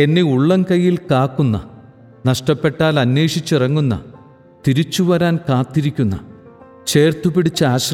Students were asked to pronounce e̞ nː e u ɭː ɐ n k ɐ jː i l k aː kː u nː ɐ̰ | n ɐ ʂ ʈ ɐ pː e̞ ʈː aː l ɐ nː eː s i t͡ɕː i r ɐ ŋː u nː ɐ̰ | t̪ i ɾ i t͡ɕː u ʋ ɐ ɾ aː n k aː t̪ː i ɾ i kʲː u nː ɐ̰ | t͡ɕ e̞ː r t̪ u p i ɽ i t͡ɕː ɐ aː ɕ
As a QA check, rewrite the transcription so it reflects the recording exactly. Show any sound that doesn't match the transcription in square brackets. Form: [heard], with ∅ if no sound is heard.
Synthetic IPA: e̞ nː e u ɭː ɐ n k ɐ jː i l k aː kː u nː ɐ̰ | n ɐ ʂ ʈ ɐ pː e̞ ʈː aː l ɐ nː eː [ʂ] i t͡ɕː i r ɐ ŋː u nː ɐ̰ | t̪ i ɾ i t͡ɕː u ʋ ɐ ɾ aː n k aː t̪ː i ɾ i kʲː u nː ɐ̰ | t͡ɕ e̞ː r t̪ u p i ɽ i t͡ɕː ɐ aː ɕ